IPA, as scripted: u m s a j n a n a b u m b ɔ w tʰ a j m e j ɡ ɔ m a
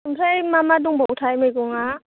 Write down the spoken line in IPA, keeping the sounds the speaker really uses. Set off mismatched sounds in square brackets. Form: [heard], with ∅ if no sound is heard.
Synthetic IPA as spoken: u m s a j [m] a [m] a [d] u [ŋ] b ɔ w tʰ a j m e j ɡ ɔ [ŋ] a